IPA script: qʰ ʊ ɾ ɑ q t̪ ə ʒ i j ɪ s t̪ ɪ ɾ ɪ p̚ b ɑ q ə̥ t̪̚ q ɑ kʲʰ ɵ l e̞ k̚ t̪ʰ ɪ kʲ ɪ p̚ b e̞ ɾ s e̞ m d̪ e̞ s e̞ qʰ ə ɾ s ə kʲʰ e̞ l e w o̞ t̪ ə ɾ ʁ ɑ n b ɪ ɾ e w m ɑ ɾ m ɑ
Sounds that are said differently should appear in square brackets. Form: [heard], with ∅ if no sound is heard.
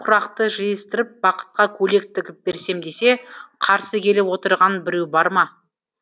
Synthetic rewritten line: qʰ ʊ ɾ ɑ q t̪ ə ʒ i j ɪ s t̪ ɪ ɾ ɪ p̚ b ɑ q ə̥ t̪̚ q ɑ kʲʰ ɵ l e̞ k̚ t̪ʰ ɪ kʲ ɪ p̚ b e̞ ɾ s e̞ m d̪ e̞ s e̞ qʰ [ɑ] ɾ s ə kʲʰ e̞ l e w o̞ t̪ ə ɾ ʁ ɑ n b ɪ ɾ e w [b] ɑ ɾ m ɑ